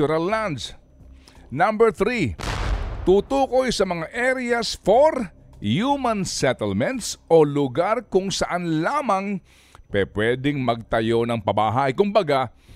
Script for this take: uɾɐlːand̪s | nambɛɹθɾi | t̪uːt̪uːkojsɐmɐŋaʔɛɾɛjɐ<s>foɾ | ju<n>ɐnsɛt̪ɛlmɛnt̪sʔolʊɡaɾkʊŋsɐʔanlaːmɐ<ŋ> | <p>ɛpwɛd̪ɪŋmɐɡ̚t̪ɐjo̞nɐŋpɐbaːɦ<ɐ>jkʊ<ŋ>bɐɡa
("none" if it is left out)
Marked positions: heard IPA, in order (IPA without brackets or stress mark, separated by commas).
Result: s, m, ŋ, p, a, m